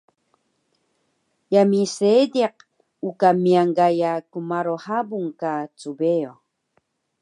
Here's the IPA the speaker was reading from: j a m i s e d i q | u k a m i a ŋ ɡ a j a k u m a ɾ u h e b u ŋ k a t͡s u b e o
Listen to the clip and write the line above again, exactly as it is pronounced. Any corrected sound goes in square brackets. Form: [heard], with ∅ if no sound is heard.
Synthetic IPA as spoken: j a m i s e d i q | u k a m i a ŋ ɡ a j a k u m a ɾ [o] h [a] b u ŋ k a t͡s u b e o